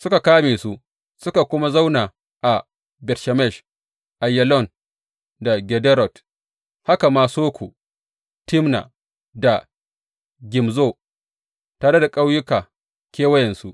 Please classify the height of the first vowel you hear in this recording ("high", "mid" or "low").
high